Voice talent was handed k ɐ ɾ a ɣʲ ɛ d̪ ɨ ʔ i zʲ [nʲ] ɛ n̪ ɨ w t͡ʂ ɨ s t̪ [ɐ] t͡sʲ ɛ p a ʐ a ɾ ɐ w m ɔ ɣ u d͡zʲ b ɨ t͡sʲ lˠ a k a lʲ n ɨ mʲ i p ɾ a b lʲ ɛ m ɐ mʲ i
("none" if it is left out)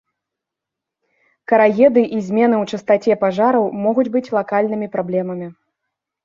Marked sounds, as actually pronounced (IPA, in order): mʲ, a

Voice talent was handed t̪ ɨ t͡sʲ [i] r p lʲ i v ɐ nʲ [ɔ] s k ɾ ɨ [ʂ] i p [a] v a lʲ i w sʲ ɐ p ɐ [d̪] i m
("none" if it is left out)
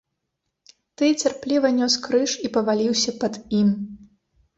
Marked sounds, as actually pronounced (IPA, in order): a, ɔ, ʂ, ɐ, d̪

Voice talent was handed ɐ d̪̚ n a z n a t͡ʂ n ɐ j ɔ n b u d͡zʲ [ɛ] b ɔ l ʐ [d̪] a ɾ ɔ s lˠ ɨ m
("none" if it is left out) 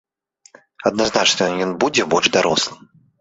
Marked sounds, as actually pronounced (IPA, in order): ɛ, d̪

